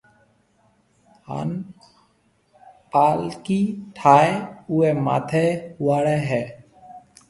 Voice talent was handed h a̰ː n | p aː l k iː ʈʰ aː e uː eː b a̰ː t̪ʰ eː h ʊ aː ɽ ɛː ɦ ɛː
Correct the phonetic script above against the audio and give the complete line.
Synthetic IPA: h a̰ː n | p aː l k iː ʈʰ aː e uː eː m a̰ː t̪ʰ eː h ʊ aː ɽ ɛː ɦ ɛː